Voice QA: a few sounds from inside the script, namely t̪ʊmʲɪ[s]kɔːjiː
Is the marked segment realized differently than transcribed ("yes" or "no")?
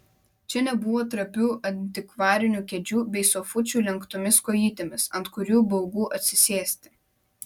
no